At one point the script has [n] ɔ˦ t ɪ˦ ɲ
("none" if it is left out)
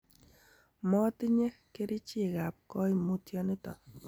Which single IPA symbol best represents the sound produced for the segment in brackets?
m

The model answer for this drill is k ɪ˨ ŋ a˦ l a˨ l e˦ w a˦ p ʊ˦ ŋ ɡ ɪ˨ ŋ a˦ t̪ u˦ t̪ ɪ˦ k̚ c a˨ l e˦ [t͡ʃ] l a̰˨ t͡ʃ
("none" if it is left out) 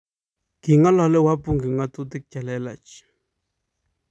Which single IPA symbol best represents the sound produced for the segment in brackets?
none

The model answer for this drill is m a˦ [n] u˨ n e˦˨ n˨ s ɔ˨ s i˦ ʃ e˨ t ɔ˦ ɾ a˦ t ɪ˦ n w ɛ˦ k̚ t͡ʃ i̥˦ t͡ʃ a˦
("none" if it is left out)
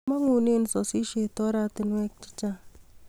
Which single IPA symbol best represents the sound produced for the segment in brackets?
ŋ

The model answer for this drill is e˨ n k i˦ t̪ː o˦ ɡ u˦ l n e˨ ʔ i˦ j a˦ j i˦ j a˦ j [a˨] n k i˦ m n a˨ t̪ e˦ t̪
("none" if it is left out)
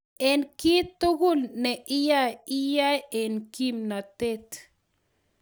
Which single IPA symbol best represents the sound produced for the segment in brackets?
e˨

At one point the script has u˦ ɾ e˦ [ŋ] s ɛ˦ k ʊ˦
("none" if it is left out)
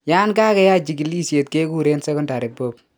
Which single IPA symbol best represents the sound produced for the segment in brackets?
n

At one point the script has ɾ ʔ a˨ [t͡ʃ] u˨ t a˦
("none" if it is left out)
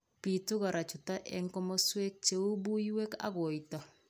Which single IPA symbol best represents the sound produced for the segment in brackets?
t͡ʃ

